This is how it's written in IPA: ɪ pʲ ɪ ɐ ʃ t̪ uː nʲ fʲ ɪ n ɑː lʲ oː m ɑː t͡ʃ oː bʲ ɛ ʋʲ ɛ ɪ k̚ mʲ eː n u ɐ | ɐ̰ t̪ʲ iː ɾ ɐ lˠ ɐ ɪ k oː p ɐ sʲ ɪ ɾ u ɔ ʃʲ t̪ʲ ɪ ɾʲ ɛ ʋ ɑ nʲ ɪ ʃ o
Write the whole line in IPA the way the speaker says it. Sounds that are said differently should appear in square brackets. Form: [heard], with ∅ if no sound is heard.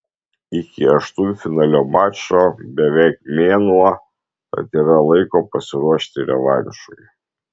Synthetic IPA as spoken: ɪ [kʲ] ɪ ɐ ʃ t̪ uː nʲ fʲ ɪ n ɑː lʲ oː m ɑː t͡ʃ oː bʲ ɛ ʋʲ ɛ ɪ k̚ mʲ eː n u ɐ | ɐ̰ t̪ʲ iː ɾ ɐ lˠ ɐ ɪ k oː p ɐ sʲ ɪ ɾ u ɔ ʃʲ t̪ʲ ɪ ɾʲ ɛ ʋ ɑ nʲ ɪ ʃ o